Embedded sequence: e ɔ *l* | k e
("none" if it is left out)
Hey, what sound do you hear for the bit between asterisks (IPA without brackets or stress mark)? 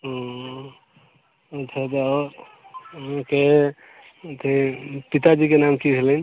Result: ɾ